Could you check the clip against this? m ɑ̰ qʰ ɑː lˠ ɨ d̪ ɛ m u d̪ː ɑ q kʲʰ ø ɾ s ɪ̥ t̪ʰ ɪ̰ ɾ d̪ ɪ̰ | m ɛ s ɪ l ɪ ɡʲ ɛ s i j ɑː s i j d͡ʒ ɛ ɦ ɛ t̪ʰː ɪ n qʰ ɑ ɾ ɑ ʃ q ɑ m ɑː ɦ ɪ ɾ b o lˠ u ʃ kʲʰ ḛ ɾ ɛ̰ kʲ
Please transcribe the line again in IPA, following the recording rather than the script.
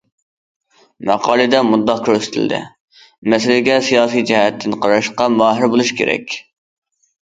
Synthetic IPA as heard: m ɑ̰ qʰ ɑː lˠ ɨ d̪ ɛ m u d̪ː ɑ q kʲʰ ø ɾ s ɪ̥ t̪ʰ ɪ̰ l d̪ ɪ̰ | m ɛ s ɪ l ɪ ɡʲ ɛ s i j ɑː s i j d͡ʒ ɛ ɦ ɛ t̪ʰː ɪ n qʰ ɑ ɾ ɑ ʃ q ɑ m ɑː ɦ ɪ ɾ b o lˠ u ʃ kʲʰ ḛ ɾ ɛ̰ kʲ